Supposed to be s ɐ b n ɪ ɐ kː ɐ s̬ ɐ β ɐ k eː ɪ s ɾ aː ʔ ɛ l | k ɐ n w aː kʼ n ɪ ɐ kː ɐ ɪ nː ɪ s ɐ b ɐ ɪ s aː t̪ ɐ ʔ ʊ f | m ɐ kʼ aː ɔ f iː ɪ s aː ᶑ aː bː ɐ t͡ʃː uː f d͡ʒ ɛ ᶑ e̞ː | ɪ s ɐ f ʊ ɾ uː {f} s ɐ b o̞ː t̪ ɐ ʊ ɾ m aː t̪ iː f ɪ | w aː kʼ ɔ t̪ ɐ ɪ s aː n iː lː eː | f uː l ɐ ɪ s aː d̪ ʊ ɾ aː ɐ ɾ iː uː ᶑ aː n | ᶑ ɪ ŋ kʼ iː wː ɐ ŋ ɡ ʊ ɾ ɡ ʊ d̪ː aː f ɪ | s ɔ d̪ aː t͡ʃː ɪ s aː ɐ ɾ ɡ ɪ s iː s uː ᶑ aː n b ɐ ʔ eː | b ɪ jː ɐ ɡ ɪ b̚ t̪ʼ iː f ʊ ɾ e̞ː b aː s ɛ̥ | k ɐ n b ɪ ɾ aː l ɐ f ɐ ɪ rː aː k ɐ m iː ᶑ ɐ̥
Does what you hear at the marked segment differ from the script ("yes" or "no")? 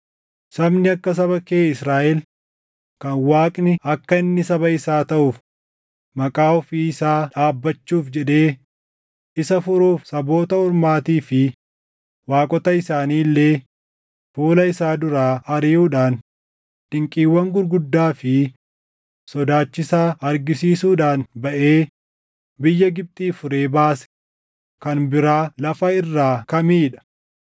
no